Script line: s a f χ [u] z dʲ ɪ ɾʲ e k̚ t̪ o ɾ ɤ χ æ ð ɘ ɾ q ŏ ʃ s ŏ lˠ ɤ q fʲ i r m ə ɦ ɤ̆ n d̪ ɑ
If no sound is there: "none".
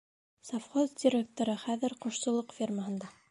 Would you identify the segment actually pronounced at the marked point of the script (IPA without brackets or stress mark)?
o